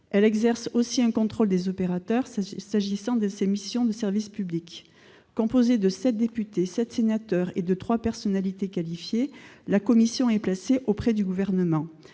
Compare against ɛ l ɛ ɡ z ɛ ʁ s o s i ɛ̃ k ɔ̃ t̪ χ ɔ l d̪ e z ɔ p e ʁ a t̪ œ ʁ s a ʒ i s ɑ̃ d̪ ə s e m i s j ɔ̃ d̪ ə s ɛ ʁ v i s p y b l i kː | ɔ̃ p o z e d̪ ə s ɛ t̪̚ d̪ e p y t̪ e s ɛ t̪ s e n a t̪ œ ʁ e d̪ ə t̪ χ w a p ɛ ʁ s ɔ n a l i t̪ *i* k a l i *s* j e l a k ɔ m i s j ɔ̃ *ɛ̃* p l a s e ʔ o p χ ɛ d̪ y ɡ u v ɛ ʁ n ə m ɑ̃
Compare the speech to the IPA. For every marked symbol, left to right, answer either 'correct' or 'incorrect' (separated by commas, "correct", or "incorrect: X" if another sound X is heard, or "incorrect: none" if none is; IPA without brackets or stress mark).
incorrect: e, incorrect: f, incorrect: ɛ